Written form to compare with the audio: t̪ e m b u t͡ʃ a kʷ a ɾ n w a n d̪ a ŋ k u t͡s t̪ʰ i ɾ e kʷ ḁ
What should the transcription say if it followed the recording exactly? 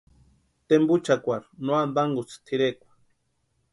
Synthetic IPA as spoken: t̪ e m b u t͡ʃ a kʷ a ɾ n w a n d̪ a ŋ ɡ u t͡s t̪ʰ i ɾ e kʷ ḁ